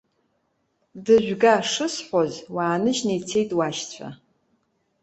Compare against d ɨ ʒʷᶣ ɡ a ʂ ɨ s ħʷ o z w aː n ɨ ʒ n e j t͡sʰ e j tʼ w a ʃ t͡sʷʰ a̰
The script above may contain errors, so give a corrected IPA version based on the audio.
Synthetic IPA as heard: d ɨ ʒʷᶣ ɡ a ʂ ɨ s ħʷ o z w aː n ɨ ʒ n e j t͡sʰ e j tʼ w a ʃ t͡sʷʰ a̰